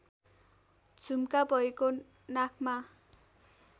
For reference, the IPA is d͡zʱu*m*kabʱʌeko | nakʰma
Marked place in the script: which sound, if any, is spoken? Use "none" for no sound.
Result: m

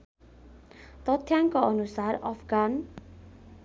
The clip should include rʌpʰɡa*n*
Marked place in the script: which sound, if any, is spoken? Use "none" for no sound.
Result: n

